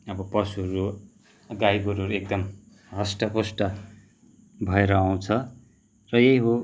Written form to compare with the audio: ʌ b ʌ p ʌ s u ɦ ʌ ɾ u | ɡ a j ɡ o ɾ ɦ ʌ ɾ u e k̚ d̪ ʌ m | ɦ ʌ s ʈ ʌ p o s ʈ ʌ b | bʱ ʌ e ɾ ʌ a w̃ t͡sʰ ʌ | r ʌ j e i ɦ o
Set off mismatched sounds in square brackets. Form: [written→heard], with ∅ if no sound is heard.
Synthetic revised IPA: ʌ b ʌ p ʌ s u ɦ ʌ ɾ u | ɡ a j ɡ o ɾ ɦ ʌ ɾ u e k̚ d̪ ʌ m | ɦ ʌ s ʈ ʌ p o s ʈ ʌ [b→∅] | bʱ ʌ e ɾ ʌ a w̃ t͡sʰ ʌ | r ʌ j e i ɦ o